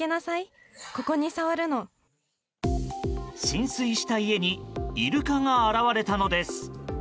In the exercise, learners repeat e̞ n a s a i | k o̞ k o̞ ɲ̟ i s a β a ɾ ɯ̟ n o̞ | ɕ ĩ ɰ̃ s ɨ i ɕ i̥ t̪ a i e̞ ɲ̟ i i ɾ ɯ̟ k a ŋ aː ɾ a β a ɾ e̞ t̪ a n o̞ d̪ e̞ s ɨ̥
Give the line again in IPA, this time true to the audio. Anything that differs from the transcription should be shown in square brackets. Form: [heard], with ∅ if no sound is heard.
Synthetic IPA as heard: e̞ n a s a i | k o̞ k o̞ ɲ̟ i s a β a ɾ ɯ̟ n o̞ | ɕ ĩ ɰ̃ s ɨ i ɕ i̥ t̪ a i e̞ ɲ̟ i i ɾ ɯ̟ k a ŋ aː ɾ a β a ɾ e̞ t̪ a n o̞ d̪ e̞ s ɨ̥